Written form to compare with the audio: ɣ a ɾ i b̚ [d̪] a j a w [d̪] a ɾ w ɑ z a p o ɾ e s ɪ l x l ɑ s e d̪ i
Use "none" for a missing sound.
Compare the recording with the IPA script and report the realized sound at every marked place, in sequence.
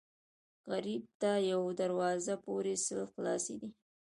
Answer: t̪, d̪

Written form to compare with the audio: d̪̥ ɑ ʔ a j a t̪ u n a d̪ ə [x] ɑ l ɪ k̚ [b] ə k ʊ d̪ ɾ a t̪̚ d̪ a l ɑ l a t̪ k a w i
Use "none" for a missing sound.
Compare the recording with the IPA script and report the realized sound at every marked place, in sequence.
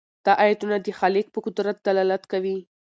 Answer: x, p

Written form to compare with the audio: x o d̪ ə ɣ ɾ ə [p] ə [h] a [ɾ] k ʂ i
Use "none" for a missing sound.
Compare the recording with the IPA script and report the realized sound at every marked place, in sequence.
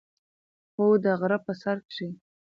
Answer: p, s, ɾ

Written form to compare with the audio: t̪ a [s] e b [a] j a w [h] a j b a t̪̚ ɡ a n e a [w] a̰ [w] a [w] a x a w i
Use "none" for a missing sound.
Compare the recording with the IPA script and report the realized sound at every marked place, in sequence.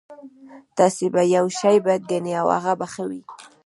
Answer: s, a, ʃ, w, ɣ, b

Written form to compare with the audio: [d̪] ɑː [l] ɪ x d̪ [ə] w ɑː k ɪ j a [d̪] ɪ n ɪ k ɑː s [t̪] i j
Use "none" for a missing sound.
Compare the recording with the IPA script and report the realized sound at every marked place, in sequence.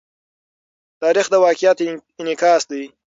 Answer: t̪, ɾ, ə, t̪, d̪

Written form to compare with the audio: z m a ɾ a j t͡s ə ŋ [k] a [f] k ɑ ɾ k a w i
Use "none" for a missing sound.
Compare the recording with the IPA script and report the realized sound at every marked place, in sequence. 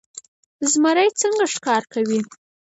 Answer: ɡ, ʂ

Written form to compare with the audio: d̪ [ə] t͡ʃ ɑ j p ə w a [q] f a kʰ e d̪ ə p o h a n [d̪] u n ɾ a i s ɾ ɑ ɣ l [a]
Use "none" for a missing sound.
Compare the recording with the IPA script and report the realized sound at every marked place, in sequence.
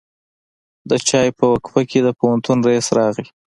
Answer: ə, k, t̪, i

